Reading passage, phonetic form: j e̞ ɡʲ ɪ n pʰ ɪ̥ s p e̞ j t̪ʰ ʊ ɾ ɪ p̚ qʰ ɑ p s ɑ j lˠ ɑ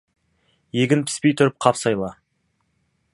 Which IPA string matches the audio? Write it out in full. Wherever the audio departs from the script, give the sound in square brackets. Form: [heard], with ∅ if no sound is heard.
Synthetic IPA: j e̞ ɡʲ ɪ n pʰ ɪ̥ s p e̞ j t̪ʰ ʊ ɾ ɪ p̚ qʰ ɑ p s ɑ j lˠ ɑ